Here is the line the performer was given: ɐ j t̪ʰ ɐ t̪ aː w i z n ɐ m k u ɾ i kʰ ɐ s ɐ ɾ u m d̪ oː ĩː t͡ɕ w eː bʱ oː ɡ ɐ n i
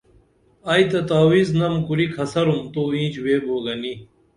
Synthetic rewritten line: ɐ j t̪ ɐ t̪ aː w i z n ɐ m k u ɾ i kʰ ɐ s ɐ ɾ u m t̪ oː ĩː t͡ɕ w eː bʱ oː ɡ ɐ n i